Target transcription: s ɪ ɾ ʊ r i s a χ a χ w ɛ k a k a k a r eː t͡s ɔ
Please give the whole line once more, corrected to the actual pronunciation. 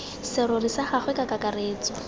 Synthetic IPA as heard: s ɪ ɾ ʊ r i s a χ a χ w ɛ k a k a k a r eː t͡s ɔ